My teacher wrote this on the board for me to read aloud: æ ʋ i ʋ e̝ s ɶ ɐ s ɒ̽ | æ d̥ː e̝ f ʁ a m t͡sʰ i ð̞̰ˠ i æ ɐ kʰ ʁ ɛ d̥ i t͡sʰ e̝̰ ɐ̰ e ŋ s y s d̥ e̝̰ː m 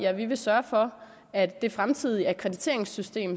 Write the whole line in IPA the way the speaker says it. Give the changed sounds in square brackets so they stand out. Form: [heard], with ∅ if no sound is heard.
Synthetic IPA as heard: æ ʋ i ʋ e̝ s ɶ ɐ [f] ɒ̽ | æ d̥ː e̝ f ʁ a m t͡sʰ i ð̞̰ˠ i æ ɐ kʰ ʁ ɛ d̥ i t͡sʰ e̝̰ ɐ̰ e ŋ s y s d̥ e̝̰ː m